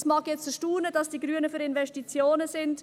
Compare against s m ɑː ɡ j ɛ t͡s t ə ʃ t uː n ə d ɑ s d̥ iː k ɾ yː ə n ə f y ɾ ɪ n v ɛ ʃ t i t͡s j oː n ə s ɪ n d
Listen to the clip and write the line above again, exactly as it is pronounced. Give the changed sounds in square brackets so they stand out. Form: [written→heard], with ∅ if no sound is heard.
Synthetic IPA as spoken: s m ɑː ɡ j ɛ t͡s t ə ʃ t uː n ə d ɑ s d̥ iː [k→ɡ] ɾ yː ə n ə f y ɾ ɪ n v ɛ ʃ t i t͡s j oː n ə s ɪ n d